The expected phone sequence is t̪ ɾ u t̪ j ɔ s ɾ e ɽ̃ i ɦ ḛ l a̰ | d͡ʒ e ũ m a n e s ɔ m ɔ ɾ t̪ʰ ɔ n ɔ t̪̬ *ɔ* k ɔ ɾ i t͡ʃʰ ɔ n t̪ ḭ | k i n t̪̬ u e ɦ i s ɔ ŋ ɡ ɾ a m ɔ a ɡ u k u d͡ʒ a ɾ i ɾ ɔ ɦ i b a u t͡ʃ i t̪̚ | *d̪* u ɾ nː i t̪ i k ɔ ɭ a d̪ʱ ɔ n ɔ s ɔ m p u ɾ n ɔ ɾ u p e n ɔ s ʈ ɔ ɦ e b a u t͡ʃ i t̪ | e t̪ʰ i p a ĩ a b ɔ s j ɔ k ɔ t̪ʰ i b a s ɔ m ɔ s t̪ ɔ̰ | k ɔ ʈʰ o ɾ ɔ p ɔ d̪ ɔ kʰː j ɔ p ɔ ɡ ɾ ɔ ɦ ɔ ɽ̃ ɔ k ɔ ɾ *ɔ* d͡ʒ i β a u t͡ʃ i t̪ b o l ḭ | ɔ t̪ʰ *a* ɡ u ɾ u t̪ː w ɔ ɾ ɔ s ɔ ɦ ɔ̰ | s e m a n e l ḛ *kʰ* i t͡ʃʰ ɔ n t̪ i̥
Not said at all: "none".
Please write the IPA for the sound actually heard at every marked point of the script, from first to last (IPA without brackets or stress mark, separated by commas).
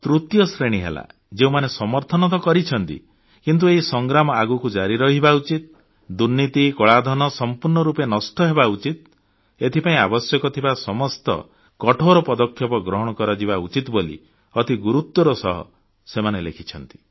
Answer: ɔ, d̪, ɔ, i, kʰ